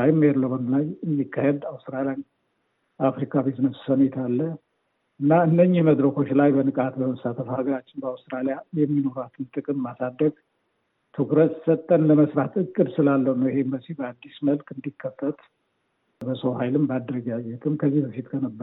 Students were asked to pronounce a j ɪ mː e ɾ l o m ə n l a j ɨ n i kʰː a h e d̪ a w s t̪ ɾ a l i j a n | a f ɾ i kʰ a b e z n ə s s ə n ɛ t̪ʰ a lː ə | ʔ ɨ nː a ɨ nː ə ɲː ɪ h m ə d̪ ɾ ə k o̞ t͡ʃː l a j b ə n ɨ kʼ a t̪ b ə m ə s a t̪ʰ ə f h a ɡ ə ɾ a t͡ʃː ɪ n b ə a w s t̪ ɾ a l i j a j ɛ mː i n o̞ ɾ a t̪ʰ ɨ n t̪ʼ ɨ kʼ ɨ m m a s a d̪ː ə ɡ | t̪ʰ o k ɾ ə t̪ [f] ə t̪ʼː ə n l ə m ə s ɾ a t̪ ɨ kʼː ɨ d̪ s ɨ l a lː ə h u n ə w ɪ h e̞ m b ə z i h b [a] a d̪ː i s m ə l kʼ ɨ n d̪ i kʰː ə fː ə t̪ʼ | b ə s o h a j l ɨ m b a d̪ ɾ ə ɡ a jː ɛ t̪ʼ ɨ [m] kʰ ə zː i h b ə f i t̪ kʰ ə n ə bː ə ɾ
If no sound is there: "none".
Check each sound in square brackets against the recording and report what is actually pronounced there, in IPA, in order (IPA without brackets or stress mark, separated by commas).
s, ə, m